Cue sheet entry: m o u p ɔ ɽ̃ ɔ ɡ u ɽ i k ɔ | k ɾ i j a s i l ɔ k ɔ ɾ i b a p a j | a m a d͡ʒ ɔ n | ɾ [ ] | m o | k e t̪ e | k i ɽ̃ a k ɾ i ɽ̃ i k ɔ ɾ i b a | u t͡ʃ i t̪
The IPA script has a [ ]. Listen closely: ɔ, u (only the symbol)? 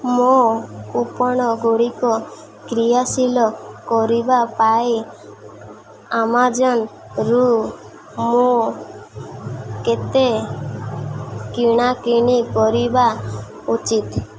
u